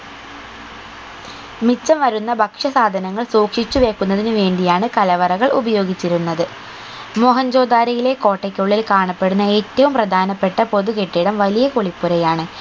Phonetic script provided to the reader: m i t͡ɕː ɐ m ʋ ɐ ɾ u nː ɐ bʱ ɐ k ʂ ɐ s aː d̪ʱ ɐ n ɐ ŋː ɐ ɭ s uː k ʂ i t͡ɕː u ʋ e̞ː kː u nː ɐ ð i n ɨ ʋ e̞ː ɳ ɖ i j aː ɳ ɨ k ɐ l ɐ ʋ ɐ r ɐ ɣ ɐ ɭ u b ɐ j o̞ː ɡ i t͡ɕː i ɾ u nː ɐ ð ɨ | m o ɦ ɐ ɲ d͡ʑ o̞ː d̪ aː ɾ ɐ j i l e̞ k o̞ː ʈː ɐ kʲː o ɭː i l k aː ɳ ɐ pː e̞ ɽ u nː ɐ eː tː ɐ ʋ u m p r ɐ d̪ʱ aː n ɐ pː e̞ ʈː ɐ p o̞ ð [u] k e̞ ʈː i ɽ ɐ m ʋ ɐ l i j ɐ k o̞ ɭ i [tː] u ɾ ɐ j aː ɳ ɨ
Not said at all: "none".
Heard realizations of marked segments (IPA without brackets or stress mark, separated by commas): u, pː